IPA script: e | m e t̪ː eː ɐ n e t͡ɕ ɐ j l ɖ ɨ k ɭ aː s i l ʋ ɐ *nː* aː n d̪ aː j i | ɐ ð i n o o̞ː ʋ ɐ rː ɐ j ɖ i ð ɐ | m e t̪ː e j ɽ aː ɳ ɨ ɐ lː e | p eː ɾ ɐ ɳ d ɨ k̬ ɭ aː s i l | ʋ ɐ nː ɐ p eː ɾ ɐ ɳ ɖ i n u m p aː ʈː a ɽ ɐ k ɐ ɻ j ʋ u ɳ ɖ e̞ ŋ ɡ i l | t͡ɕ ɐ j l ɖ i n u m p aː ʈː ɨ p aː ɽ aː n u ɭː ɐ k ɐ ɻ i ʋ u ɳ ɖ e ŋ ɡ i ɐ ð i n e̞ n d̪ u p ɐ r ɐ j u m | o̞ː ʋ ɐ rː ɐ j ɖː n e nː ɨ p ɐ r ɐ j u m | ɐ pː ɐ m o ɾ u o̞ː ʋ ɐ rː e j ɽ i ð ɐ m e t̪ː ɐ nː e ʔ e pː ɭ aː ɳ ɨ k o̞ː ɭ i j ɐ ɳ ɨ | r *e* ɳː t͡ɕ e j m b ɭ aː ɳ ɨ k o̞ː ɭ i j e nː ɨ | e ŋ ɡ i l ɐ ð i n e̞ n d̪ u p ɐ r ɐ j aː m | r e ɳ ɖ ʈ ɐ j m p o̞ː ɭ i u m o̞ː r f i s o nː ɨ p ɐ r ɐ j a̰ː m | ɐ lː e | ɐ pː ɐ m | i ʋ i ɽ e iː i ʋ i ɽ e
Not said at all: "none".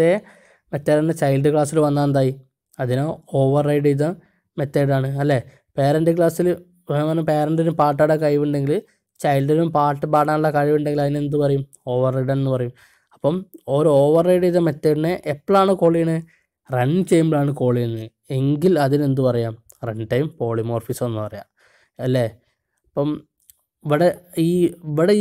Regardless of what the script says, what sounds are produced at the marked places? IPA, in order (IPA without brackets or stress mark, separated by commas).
nː, e